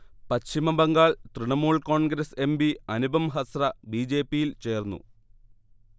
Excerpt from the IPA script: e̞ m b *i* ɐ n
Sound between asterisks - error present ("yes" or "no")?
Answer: no